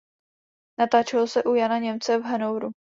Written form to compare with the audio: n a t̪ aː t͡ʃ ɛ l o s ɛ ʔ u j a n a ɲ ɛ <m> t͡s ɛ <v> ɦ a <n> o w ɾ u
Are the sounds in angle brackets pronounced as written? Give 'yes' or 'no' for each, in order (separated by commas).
yes, yes, yes